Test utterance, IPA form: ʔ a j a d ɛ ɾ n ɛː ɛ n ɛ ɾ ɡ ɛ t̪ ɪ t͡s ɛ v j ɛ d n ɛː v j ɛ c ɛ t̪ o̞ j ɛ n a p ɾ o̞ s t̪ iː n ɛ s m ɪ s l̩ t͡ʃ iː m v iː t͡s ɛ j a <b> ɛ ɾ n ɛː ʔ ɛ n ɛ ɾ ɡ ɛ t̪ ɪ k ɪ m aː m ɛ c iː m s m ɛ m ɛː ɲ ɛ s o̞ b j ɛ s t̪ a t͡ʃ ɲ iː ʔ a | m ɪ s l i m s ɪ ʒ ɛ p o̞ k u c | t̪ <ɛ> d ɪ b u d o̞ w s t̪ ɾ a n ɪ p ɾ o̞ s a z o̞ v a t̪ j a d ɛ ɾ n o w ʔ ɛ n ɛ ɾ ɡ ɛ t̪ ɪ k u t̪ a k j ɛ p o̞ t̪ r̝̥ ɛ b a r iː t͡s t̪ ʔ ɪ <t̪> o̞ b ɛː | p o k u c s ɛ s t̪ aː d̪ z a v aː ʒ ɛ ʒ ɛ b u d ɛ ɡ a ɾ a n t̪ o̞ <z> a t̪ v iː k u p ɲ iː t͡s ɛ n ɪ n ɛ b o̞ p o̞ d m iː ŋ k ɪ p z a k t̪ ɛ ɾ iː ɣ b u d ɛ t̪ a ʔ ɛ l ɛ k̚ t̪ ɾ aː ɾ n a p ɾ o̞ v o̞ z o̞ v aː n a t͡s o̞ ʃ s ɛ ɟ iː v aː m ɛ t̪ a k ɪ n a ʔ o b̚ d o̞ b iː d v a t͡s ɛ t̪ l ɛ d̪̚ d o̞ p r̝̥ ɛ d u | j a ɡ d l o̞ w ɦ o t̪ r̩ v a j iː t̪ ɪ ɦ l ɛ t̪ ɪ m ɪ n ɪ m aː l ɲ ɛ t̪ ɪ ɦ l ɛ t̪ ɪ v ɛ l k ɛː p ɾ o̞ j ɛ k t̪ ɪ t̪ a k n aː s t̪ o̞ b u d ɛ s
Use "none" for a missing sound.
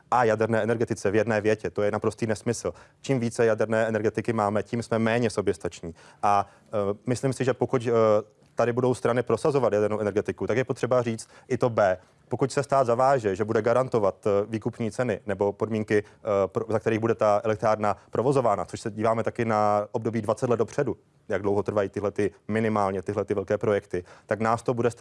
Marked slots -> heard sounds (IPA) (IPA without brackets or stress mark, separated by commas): d, a, t̪, v